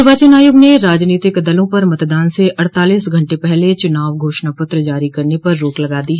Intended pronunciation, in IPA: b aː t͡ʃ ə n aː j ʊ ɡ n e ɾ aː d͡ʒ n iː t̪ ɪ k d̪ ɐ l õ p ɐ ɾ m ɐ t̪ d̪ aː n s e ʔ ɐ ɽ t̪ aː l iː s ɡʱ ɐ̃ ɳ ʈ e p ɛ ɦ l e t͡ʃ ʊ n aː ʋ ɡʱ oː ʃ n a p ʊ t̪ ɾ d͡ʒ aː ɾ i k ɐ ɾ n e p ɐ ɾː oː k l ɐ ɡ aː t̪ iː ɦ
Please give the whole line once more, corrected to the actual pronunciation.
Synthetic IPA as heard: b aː t͡ʃ ə n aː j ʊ ɡ n e ɾ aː d͡ʒ n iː t̪ ɪ k d̪ ɐ l õ p ɐ ɾ m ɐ t̪ d̪ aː n s e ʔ ɐ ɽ t̪ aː l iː s ɡʱ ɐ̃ ɳ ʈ e p ɛ ɦ l e t͡ʃ ʊ n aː ʋ ɡʱ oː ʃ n a p ʊ t̪ ɾ d͡ʒ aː ɾ i k ɐ ɾ n e p ɐ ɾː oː k l ɐ ɡ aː d̪ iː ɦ